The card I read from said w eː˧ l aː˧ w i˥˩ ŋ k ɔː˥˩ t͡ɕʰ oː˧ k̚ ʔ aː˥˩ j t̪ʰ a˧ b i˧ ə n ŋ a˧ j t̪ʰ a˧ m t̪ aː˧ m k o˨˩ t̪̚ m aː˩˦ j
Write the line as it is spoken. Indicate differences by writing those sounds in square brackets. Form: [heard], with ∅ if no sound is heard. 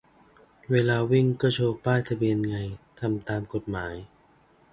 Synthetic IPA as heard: w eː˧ l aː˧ w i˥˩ ŋ k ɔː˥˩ t͡ɕʰ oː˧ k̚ [p] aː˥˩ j t̪ʰ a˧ b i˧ ə n ŋ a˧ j t̪ʰ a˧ m t̪ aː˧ m k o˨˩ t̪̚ m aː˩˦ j